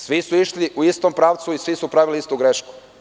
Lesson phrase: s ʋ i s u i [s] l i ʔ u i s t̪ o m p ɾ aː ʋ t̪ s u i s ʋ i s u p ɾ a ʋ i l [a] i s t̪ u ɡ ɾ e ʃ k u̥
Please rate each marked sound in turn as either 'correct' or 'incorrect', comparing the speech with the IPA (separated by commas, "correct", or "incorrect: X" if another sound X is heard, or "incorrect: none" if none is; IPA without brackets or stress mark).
incorrect: ʃ, incorrect: i